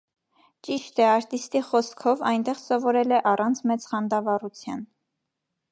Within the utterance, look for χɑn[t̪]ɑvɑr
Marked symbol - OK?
no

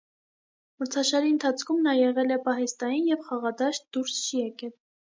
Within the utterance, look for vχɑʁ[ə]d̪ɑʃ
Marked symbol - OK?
no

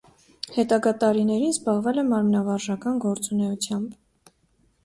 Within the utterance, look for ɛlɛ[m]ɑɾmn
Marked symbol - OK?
yes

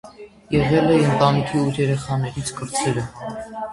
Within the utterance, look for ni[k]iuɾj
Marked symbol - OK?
no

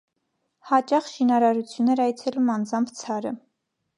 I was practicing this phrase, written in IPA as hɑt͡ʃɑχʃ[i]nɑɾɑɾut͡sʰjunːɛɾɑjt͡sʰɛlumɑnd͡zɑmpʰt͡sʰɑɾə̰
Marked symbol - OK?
yes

